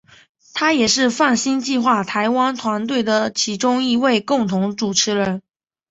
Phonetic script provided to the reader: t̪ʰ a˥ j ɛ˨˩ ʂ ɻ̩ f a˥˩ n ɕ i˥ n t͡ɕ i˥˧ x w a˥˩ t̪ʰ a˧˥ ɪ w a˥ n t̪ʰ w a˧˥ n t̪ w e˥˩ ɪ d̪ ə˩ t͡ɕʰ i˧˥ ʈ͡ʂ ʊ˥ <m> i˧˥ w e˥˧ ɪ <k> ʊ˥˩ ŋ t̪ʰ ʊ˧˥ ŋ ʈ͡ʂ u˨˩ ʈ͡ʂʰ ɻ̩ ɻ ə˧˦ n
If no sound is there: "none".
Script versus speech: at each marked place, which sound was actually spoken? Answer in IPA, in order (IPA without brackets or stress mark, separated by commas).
ŋ, k